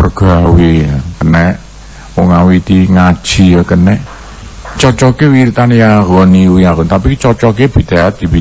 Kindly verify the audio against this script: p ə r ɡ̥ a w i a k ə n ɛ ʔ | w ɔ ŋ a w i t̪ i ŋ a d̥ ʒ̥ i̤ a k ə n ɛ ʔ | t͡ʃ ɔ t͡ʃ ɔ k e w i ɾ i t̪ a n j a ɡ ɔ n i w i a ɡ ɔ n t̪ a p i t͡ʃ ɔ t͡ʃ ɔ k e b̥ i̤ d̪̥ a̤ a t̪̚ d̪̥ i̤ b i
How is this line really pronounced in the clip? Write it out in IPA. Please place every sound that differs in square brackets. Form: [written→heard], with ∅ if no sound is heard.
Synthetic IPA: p ə r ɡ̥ a w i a k ə n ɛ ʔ | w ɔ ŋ a w i t̪ i ŋ a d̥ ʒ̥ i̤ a k ə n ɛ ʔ | t͡ʃ ɔ t͡ʃ ɔ k e w i ɾ i t̪ a n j a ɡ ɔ n i w i a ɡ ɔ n t̪ a p i t͡ʃ ɔ t͡ʃ ɔ k e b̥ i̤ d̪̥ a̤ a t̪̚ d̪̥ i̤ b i